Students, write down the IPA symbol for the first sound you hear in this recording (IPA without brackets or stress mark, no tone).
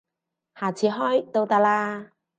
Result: h